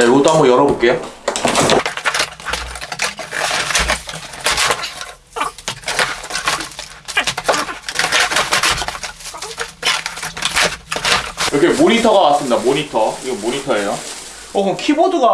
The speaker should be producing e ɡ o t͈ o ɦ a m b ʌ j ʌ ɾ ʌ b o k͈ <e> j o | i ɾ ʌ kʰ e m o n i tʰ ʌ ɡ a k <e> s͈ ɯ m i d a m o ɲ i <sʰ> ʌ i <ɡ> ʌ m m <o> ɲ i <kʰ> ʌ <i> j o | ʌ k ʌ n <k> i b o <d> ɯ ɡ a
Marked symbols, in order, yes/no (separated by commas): yes, no, no, yes, yes, no, no, no, yes